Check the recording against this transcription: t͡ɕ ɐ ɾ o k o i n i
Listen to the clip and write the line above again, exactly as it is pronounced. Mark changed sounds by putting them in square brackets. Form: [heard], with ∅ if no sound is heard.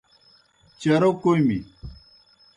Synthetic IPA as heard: t͡ɕ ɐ ɾ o k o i [m] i